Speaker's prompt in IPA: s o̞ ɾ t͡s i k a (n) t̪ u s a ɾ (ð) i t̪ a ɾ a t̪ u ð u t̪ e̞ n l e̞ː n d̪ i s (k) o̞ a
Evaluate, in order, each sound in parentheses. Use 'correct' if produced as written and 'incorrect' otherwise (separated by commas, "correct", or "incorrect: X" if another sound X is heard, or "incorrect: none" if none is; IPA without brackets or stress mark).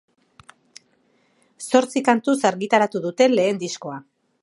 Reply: correct, incorrect: ɣ, correct